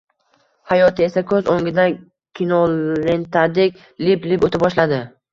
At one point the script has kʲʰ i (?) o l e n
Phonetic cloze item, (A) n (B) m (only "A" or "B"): A